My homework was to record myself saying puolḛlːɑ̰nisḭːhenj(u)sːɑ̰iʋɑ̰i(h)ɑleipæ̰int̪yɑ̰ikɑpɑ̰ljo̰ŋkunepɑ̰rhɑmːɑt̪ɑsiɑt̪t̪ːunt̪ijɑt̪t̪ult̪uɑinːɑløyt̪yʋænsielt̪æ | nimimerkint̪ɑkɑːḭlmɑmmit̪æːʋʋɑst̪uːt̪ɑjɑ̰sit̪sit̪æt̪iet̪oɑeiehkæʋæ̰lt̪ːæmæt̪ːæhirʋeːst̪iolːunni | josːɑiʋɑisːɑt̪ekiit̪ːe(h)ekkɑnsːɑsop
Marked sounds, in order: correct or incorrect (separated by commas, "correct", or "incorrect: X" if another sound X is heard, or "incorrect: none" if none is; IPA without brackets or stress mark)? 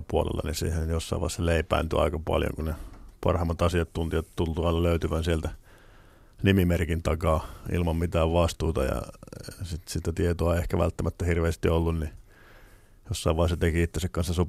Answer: incorrect: o, incorrect: s, incorrect: s